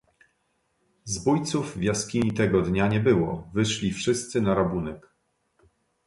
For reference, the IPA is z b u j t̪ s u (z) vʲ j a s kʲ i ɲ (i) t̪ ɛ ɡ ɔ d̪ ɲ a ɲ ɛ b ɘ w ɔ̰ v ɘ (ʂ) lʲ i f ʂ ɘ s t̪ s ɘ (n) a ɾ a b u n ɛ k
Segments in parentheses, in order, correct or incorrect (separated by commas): incorrect, correct, correct, correct